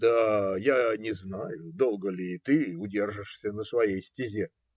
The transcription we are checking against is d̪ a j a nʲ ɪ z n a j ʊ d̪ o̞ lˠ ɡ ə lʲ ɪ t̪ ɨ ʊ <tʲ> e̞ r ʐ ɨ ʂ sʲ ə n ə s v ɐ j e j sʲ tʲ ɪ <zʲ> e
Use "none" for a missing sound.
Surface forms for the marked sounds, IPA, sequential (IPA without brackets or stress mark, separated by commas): dʲ, zʲ